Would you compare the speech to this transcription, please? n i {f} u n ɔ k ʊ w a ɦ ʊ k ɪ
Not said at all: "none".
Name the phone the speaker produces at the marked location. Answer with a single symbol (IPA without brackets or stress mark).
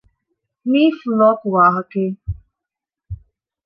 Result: f